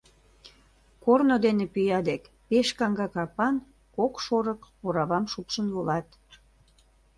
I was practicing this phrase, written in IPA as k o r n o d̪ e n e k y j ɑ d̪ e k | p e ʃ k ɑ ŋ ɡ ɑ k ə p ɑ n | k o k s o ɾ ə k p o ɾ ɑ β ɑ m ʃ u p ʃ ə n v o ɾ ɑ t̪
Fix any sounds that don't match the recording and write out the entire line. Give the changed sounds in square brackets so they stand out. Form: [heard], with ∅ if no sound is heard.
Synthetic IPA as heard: k o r n o d̪ e n e [p] y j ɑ d̪ e k | p e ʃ k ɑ ŋ ɡ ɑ k [ɑ] p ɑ n | k o k [ʃ] o ɾ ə k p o ɾ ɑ β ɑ m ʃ u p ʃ ə n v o [l] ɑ t̪